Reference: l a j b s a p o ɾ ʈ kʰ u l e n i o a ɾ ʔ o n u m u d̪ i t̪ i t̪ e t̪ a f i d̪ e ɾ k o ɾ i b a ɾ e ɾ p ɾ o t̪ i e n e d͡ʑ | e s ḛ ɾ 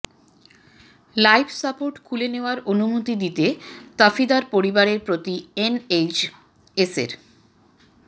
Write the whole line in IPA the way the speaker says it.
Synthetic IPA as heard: l a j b s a p o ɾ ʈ kʰ u l e n e o a ɾ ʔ o n u m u t̪ i d̪ i t̪ e t̪ a f i d̪ a ɾ p o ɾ i b a ɾ e ɾ p ɾ o t̪ i e n e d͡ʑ | e s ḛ ɾ